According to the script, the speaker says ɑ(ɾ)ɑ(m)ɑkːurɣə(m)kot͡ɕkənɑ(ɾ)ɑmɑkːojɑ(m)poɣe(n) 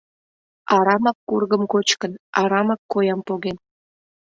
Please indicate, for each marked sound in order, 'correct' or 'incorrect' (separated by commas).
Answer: correct, correct, correct, correct, correct, correct